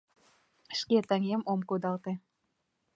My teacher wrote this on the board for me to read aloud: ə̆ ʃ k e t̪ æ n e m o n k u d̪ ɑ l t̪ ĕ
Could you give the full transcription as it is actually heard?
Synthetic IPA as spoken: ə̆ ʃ k e t̪ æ ŋ e m o m k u d̪ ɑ l t̪ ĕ